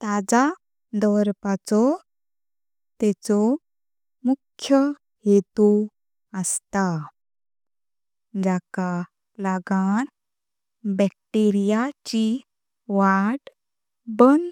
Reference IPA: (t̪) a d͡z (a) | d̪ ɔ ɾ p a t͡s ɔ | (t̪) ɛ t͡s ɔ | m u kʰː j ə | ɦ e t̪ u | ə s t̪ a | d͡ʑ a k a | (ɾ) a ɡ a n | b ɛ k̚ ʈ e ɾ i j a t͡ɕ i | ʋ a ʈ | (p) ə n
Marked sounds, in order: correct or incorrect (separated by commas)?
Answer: correct, correct, correct, incorrect, incorrect